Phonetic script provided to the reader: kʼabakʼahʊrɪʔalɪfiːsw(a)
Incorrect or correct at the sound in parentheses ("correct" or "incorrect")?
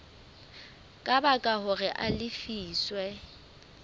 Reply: incorrect